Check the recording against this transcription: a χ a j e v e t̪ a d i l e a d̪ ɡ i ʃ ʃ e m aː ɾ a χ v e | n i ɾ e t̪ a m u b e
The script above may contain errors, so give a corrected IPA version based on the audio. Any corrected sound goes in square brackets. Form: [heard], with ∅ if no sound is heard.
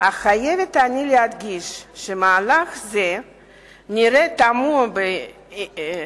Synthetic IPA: a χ a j e v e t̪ a [n] i l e a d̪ ɡ i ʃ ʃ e m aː [l] a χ [z] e | n i ɾ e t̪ a m u b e